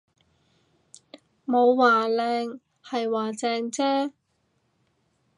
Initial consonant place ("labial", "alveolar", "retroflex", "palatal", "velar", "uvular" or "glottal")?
labial